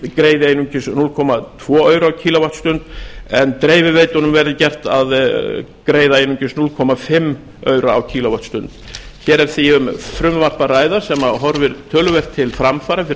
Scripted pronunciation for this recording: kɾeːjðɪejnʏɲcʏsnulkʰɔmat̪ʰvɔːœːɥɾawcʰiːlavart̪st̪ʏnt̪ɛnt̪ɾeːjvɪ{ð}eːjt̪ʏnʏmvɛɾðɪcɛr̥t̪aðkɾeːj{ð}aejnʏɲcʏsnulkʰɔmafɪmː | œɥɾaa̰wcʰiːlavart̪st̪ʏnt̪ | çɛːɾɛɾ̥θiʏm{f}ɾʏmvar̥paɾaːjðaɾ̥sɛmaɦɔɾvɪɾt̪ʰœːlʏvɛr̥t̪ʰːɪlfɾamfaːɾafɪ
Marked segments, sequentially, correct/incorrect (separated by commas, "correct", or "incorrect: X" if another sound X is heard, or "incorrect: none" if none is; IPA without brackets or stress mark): incorrect: v, correct, correct